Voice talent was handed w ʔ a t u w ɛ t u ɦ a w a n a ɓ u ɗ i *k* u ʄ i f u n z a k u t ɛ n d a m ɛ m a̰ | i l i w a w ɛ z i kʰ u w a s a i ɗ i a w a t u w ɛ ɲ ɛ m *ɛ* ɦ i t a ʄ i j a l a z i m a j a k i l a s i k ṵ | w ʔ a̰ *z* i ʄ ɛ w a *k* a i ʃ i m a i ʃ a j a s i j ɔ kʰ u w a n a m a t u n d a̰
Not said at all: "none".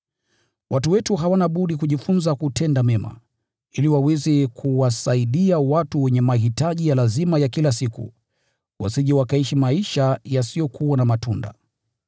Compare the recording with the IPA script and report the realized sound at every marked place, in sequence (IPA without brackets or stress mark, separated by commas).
k, a, s, k